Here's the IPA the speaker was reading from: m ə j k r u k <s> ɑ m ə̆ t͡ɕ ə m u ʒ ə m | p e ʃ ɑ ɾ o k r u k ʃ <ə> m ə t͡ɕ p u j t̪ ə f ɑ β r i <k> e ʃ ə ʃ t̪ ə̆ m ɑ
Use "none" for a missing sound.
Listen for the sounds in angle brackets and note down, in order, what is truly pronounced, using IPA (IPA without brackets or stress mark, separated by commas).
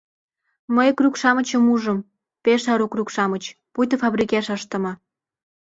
ʃ, ɑ, k